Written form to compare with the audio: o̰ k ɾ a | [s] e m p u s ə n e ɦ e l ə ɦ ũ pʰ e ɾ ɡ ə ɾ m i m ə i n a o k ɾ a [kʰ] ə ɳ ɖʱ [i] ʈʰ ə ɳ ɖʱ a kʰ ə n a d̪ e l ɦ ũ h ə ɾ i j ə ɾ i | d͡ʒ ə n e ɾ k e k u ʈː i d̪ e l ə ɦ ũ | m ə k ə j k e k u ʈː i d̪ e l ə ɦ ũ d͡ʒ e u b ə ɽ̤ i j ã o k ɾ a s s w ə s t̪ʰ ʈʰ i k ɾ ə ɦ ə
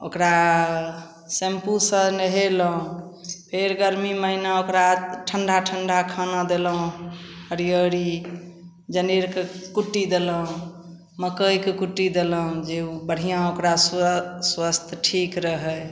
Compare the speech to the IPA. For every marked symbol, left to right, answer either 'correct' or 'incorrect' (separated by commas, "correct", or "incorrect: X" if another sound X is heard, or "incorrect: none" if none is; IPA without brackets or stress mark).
correct, incorrect: ʈʰ, incorrect: a